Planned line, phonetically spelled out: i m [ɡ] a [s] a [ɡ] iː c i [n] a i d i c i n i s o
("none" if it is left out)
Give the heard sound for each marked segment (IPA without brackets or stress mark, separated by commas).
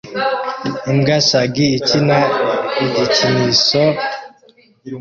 ɡ, s, ɡ, n